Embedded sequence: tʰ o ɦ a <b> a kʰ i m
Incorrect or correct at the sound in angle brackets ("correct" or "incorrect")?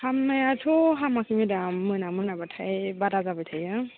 incorrect